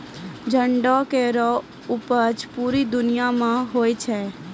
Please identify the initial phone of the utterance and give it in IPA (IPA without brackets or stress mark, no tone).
d͡ʒ